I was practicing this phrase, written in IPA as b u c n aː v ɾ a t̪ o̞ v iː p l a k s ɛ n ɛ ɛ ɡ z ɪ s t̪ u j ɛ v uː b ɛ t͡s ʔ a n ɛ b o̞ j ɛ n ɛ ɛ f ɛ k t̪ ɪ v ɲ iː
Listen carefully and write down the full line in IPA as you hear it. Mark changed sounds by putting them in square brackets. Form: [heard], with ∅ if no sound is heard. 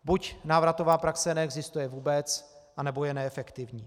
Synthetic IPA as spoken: b u c n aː v ɾ a t̪ o̞ v [aː] p [ɾ] a k s ɛ n ɛ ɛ ɡ z ɪ s t̪ u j ɛ v uː b ɛ t͡s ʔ a n ɛ b o̞ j ɛ n ɛ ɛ f ɛ k t̪ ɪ v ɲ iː